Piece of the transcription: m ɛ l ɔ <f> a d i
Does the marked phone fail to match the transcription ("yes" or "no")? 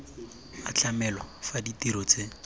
no